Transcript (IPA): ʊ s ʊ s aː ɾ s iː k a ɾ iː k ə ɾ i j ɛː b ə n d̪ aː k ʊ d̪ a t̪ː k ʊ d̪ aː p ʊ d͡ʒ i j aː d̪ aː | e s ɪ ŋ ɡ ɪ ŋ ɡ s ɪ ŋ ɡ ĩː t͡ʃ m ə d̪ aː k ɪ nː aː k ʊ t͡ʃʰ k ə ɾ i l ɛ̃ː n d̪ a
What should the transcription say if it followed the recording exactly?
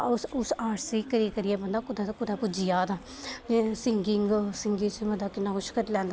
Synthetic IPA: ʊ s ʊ s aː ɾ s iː k ə ɾ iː k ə ɾ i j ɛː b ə n d̪ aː k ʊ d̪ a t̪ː k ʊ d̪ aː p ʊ d͡ʒ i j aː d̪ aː | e s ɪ ŋ ɡ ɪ ŋ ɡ s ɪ ŋ ɡ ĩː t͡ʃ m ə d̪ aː k ɪ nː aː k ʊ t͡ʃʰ k ə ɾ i l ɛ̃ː n d̪ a